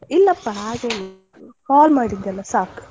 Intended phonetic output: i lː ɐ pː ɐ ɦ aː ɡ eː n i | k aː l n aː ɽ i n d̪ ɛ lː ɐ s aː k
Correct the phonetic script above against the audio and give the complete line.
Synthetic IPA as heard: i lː ɐ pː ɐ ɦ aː ɡ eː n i | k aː l m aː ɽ i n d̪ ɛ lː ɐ s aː k